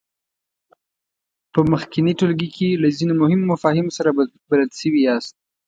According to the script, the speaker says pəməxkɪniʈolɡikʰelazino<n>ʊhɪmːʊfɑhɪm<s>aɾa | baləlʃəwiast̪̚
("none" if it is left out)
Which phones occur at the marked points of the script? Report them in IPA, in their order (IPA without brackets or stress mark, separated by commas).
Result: m, s